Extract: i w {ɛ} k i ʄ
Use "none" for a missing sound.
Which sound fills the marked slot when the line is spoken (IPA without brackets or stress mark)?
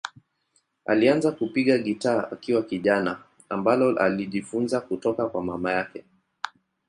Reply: a